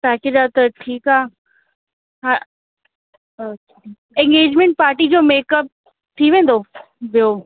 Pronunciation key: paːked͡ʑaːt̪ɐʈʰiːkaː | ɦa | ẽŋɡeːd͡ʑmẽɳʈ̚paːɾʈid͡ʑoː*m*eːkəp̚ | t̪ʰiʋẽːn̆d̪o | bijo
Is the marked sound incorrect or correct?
correct